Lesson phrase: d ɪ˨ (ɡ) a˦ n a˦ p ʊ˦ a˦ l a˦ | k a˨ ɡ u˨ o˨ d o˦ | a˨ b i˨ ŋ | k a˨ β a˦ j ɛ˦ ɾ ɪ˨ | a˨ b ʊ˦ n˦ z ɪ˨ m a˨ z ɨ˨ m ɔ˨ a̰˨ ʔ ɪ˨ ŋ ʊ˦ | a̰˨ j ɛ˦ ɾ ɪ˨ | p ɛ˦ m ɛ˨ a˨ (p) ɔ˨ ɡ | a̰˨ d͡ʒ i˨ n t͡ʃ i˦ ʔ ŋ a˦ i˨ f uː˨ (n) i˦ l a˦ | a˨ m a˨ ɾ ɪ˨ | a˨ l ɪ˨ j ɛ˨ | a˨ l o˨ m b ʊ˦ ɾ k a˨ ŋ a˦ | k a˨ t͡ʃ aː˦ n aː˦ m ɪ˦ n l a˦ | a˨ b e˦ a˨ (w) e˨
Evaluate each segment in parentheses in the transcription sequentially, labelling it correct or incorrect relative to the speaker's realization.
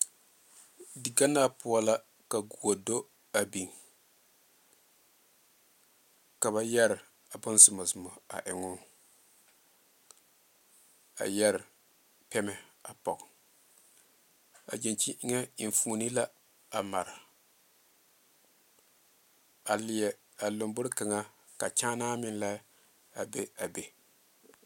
correct, correct, correct, incorrect: b

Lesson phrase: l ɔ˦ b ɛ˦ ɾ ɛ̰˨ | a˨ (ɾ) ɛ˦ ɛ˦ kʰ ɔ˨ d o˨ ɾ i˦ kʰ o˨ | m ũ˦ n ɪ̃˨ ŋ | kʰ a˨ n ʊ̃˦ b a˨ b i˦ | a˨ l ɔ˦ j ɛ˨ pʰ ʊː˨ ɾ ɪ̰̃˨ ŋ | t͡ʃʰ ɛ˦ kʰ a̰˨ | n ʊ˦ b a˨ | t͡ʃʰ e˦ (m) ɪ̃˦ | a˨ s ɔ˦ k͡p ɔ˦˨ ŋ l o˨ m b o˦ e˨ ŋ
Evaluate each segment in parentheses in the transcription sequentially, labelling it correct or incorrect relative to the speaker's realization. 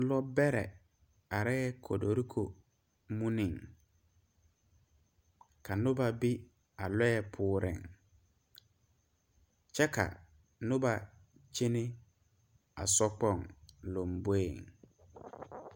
correct, incorrect: n

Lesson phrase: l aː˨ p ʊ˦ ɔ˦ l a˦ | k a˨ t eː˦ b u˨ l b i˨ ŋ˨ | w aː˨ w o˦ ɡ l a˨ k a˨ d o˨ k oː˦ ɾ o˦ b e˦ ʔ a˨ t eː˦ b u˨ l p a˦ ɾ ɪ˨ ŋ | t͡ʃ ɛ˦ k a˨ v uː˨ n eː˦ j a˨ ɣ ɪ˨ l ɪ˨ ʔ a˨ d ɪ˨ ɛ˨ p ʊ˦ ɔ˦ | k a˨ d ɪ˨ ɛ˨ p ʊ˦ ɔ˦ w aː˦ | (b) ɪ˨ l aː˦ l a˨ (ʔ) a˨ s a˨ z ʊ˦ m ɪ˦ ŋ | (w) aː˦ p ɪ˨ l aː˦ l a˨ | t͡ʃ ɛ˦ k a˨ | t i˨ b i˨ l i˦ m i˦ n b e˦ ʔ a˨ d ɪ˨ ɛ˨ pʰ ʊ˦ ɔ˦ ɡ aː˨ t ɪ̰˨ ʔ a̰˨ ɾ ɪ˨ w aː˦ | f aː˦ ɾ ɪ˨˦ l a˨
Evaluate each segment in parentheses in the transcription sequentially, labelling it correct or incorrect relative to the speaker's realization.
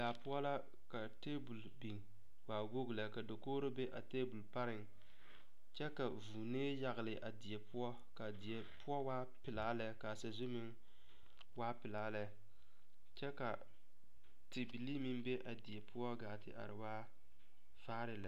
incorrect: p, incorrect: k, correct

